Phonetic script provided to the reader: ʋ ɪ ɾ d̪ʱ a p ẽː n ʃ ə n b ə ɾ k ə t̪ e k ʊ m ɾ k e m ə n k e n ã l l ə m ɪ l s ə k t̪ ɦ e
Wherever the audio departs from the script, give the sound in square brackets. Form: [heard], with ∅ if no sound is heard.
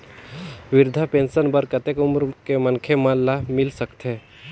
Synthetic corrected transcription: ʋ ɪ ɾ d̪ʱ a p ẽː n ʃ ə n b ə ɾ k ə t̪ e k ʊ m ɾ k e m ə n [kʰ] e [m] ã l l [a] m ɪ l s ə k t̪ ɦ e